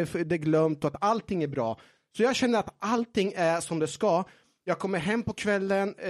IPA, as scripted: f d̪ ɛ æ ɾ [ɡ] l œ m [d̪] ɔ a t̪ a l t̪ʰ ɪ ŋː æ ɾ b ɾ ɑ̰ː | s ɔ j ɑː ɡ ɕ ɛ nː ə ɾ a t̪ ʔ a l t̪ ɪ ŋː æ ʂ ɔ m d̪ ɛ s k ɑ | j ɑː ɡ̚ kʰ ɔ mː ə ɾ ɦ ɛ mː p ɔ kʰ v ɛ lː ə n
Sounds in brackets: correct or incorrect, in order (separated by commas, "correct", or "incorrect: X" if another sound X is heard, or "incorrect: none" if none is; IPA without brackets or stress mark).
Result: correct, incorrect: t̪